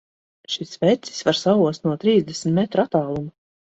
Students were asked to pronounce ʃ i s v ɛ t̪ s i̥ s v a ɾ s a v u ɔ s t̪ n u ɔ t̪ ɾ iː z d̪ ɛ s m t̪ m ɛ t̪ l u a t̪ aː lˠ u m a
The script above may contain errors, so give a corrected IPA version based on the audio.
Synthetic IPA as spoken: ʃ i s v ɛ t̪ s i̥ s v a ɾ s a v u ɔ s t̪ n u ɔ t̪ ɾ iː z d̪ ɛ s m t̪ m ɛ t̪ ɾ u a t̪ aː lˠ u m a